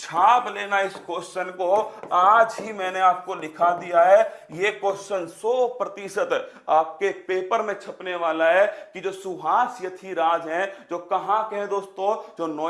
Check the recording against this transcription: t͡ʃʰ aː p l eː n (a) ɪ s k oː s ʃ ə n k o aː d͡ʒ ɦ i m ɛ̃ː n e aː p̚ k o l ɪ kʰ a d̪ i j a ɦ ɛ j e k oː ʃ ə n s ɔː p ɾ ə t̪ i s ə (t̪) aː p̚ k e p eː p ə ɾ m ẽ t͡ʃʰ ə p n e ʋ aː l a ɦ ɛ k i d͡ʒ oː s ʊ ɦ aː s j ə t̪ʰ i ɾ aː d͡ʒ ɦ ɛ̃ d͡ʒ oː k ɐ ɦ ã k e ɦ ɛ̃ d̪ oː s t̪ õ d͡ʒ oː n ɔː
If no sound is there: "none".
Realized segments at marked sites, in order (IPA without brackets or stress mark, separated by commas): a, t̪